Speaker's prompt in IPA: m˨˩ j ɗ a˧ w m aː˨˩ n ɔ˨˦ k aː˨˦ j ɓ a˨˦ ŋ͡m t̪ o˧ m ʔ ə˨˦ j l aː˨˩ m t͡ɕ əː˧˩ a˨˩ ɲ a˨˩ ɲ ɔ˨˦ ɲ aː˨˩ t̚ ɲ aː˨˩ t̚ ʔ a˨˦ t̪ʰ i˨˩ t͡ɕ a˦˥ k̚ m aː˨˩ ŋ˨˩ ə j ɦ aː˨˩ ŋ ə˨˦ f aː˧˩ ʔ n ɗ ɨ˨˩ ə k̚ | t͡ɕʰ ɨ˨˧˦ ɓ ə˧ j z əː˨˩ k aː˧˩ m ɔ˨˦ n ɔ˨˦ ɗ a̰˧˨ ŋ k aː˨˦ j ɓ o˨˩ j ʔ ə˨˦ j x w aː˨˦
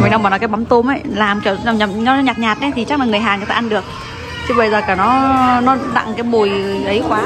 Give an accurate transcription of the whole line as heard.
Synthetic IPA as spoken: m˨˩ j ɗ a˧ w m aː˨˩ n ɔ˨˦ k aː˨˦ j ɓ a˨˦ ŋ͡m t̪ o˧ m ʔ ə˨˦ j l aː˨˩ m t͡ɕ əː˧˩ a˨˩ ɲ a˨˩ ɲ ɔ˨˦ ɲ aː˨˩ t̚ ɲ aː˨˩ t̚ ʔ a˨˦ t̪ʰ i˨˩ t͡ɕ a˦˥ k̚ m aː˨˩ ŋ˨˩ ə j ɦ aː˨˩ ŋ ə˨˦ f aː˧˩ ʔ n ɗ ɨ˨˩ ə k̚ | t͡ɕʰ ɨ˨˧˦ ɓ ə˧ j z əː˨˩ k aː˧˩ n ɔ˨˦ n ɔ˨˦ ɗ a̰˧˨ ŋ k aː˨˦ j ɓ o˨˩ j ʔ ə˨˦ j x w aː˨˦